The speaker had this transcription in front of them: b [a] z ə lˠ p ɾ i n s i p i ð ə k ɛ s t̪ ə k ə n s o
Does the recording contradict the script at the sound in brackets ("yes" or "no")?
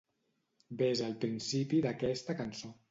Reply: yes